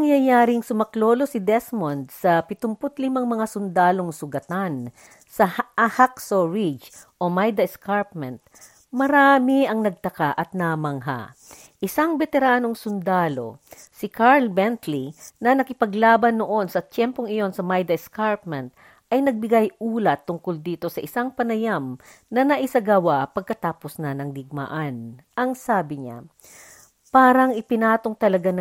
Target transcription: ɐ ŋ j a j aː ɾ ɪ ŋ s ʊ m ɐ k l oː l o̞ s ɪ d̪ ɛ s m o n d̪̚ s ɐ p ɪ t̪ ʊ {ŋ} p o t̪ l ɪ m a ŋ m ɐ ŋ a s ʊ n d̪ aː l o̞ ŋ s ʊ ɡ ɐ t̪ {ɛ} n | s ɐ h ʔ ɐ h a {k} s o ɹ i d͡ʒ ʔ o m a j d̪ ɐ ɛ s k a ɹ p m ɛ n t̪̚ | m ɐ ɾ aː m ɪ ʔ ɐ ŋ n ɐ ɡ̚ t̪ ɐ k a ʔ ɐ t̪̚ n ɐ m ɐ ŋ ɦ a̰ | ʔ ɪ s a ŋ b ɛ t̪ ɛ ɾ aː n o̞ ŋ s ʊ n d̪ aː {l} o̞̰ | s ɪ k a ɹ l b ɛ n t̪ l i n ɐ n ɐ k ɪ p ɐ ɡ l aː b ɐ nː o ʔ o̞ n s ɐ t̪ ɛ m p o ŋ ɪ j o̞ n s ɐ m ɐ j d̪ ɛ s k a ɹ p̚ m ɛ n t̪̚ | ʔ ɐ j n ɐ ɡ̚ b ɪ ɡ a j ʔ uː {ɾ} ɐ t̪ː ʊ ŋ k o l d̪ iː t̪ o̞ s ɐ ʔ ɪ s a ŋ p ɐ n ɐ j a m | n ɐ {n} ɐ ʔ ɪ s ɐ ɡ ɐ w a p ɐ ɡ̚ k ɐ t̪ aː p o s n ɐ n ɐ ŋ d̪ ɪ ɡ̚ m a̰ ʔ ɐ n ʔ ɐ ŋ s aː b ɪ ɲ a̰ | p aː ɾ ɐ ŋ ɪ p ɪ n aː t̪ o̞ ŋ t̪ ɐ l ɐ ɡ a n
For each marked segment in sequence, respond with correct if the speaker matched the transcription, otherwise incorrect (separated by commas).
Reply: incorrect, incorrect, correct, correct, incorrect, correct